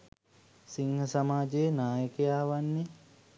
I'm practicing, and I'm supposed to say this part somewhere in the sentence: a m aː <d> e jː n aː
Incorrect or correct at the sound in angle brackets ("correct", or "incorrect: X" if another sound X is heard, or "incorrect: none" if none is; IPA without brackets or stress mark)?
incorrect: d͡ʒ